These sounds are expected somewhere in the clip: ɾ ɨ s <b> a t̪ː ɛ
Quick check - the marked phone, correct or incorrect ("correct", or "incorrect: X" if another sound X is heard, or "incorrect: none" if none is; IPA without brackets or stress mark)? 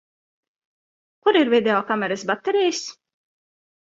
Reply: correct